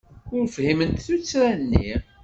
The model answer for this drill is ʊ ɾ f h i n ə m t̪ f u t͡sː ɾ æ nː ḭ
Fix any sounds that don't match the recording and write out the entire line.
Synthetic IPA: ʊ ɾ f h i m ə n t̪ θ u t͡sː ɾ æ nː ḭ